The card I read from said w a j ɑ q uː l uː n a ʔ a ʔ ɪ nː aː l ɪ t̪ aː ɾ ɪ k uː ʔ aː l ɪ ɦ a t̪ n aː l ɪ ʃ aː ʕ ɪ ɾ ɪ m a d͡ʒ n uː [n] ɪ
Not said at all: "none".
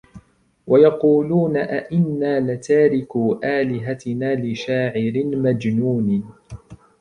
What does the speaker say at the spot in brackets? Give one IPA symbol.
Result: n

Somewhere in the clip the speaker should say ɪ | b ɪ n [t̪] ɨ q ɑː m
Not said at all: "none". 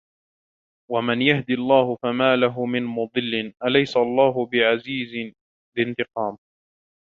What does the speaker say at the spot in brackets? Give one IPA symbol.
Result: t̪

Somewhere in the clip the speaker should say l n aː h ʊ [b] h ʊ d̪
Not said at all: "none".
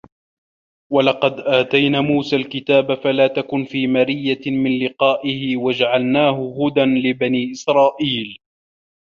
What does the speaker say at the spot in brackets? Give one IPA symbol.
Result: none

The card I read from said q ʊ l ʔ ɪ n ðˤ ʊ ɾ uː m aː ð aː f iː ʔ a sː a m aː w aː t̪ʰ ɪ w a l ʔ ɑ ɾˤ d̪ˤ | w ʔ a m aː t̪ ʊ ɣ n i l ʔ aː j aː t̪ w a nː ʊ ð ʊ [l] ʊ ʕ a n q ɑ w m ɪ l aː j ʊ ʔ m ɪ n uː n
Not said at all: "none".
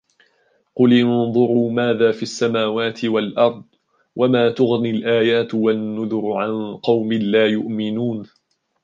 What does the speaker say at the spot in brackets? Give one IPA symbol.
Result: ɾ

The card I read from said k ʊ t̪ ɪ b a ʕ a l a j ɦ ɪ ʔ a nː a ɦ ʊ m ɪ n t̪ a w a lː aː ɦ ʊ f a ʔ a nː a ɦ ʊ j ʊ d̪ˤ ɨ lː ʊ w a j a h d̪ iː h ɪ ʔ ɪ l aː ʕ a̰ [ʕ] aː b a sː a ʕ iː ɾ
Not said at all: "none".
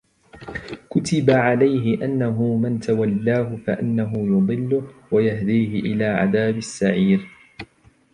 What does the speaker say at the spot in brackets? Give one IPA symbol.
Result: ð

